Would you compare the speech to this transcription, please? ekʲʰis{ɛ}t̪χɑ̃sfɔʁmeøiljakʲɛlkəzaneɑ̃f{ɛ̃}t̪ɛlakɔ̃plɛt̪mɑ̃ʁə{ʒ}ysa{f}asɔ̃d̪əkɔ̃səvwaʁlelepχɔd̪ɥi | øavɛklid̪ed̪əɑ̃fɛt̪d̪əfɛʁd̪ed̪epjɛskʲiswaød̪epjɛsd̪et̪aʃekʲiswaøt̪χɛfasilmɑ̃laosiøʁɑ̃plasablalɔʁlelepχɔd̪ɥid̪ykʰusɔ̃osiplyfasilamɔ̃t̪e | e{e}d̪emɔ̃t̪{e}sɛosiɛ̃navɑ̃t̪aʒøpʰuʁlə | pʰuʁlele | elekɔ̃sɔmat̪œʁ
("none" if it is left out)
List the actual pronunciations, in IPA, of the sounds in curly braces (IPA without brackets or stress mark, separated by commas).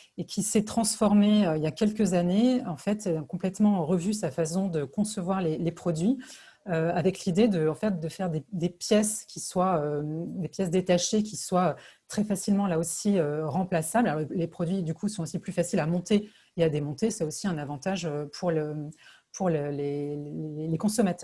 ɛ, ɛ, v, f, a, e